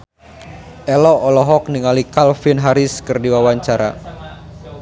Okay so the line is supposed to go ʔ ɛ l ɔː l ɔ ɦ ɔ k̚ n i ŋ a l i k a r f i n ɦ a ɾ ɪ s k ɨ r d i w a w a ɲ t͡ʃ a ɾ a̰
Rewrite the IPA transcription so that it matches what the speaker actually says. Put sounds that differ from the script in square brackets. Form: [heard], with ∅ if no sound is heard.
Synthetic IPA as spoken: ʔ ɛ l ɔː l ɔ ɦ ɔ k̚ n i ŋ a l i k a [l] f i n ɦ a ɾ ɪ s k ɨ r d i w a w a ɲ t͡ʃ a ɾ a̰